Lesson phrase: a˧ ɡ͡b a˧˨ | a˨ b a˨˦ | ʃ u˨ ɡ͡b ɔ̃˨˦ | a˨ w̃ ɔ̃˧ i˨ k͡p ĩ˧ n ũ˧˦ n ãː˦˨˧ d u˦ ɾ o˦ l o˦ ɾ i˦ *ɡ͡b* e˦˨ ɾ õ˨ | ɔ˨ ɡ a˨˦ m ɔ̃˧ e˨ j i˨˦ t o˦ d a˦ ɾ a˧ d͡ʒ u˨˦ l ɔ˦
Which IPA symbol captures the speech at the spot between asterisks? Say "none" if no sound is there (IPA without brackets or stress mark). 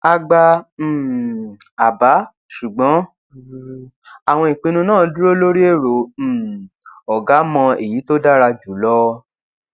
none